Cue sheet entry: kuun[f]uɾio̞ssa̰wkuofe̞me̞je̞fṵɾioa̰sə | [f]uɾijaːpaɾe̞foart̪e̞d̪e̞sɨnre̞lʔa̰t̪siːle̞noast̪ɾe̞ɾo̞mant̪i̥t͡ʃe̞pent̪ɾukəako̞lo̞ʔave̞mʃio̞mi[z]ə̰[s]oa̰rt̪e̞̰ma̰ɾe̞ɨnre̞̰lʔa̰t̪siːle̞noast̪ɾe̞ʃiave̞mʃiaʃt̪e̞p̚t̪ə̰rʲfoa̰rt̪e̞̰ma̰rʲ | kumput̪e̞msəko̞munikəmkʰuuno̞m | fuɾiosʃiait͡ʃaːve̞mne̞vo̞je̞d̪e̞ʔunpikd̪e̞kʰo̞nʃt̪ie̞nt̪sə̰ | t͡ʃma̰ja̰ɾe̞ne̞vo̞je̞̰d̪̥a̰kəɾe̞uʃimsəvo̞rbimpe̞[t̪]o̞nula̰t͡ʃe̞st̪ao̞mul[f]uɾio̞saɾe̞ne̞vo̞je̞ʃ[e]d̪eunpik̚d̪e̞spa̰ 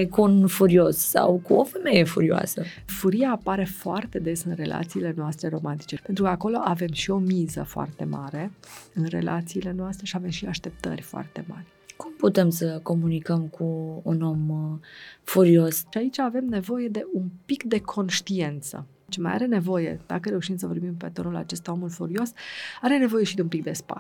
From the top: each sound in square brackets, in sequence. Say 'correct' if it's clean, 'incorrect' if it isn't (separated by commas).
correct, correct, correct, incorrect, correct, correct, incorrect